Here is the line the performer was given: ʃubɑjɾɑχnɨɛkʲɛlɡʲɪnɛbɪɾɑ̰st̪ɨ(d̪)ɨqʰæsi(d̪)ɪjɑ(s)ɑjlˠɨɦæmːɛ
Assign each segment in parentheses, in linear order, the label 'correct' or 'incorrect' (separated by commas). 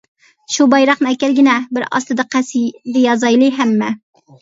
correct, correct, incorrect